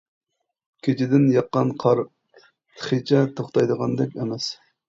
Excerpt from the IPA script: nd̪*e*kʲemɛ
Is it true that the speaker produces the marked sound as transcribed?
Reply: no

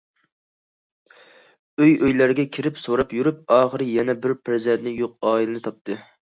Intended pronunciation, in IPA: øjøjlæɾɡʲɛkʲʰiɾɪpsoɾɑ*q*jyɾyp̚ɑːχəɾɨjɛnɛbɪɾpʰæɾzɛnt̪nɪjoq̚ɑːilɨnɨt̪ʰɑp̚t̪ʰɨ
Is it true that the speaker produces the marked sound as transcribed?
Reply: no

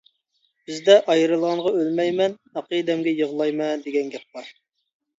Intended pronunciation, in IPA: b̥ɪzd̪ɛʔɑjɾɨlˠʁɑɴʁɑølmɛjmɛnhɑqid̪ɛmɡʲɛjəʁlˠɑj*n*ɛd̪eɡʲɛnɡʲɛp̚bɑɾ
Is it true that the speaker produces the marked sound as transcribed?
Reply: no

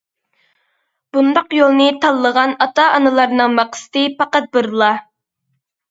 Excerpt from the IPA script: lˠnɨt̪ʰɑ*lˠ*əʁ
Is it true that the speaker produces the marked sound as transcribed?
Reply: no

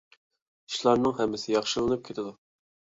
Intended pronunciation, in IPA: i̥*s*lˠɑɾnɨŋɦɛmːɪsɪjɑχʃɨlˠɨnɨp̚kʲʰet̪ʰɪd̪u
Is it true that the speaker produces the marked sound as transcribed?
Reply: no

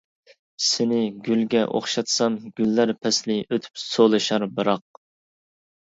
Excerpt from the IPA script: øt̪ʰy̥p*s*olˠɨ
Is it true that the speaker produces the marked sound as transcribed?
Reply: yes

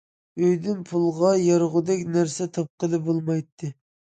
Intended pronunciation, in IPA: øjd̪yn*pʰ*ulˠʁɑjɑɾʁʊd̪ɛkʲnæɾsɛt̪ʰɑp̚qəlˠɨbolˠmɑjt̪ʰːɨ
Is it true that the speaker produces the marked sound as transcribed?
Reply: yes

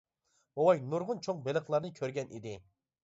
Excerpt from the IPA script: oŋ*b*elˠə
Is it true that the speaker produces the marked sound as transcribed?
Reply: yes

